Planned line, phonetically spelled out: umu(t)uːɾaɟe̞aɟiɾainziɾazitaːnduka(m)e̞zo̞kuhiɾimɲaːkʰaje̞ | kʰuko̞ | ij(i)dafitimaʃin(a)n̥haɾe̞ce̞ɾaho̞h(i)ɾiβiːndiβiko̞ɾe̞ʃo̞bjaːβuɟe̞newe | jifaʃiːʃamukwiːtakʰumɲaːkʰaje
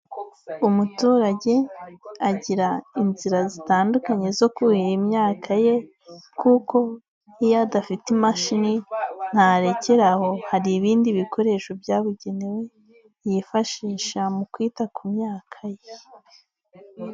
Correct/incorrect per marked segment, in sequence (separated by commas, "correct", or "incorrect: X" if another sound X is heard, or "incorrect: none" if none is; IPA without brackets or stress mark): correct, incorrect: ɲ, incorrect: a, incorrect: i, incorrect: a